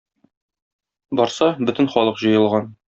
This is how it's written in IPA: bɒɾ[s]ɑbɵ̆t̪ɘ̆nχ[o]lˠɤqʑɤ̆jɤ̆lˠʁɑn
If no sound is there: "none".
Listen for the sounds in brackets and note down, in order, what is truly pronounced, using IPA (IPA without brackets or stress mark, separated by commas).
s, ɒ